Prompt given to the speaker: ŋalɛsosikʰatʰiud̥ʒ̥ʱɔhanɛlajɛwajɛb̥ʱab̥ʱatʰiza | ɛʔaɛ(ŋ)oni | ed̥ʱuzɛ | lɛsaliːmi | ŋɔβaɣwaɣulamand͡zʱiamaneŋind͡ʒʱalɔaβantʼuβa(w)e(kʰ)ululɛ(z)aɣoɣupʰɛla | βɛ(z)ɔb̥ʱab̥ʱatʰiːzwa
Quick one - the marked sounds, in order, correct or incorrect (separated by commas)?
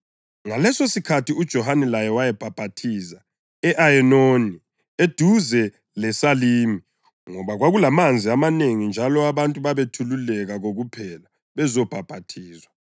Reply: incorrect, incorrect, incorrect, incorrect, correct